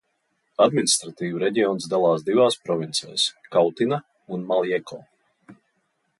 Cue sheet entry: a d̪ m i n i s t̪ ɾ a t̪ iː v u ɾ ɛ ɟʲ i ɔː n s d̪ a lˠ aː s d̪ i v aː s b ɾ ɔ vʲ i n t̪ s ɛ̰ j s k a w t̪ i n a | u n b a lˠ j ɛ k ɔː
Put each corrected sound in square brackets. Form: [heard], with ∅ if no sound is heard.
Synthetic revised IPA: a d̪ m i n i s t̪ ɾ a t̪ iː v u ɾ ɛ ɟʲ i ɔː n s d̪ a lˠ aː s d̪ i v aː s [p] ɾ ɔ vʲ i n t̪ s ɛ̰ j s k a w t̪ i n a | u n [m] a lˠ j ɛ k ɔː